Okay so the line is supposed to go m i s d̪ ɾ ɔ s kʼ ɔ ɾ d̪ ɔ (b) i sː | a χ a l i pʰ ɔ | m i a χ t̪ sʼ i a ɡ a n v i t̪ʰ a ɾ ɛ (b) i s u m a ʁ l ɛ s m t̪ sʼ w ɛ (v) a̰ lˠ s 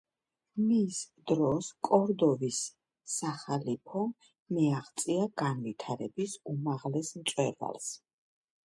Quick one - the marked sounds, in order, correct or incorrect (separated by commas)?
incorrect, correct, correct